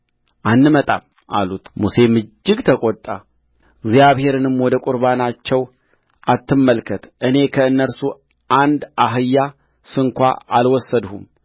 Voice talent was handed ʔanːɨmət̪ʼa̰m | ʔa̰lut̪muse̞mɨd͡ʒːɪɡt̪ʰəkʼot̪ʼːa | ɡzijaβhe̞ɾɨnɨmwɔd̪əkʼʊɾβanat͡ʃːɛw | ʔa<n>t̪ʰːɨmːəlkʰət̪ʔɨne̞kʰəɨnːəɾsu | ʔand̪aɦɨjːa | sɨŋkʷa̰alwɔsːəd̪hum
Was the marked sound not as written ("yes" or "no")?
yes